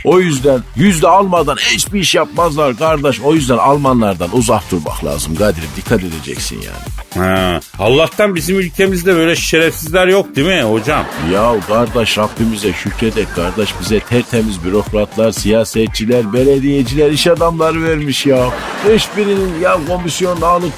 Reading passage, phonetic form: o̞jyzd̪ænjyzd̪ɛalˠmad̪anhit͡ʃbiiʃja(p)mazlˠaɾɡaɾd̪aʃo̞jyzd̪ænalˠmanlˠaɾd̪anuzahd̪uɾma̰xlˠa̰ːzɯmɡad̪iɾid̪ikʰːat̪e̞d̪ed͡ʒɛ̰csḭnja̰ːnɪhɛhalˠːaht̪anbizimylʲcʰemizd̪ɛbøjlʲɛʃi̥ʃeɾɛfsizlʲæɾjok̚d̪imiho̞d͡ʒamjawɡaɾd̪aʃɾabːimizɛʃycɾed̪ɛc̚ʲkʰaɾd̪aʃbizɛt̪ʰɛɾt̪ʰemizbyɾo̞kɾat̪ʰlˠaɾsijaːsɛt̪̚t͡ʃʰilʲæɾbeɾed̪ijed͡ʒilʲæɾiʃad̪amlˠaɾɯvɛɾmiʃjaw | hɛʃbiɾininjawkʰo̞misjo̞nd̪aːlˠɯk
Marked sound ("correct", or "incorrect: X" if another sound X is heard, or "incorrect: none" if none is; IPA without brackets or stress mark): correct